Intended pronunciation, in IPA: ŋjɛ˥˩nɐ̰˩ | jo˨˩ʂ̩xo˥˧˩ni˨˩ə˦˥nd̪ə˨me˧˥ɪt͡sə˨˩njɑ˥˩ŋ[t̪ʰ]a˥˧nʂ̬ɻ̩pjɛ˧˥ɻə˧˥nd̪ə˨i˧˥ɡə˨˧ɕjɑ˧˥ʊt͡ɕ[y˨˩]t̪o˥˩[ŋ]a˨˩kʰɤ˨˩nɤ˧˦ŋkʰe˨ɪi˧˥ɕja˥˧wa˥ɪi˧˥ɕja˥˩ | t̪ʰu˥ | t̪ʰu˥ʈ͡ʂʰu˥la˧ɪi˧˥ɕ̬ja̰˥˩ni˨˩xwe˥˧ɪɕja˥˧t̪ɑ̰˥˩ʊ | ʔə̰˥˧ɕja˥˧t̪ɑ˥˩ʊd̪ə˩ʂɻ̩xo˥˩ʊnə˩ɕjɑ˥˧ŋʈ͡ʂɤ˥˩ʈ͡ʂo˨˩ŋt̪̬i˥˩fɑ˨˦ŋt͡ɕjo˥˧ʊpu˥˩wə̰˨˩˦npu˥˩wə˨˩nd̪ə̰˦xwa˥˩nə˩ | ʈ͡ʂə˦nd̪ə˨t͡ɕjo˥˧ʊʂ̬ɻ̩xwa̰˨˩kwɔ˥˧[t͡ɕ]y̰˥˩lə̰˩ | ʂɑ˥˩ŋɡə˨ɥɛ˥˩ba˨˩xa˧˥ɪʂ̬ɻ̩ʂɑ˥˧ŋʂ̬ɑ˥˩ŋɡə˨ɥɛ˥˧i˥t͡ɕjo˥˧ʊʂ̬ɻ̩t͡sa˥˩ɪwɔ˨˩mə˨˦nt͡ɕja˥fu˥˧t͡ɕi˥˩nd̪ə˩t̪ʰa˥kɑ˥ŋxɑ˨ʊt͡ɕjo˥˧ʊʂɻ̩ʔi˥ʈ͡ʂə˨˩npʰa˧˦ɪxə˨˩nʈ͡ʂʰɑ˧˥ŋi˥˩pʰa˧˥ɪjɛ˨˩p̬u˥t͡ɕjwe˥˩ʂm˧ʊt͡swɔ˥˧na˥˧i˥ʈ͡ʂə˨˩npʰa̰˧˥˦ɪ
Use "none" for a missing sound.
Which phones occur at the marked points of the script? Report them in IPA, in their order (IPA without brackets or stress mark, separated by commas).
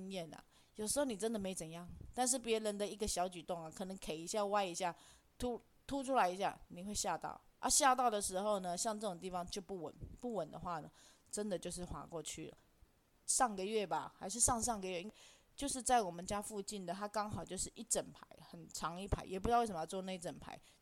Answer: t̪, y˨˩, ŋ, t͡ɕʰ